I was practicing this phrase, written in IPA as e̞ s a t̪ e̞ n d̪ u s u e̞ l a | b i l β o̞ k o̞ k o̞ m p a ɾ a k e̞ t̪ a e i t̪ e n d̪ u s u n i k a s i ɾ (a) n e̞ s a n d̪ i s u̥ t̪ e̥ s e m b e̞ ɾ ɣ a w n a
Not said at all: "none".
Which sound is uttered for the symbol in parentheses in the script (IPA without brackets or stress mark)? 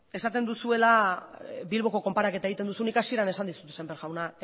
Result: a